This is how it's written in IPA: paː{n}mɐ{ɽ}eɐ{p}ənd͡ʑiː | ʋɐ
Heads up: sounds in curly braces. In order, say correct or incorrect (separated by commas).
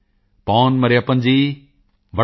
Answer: correct, incorrect, correct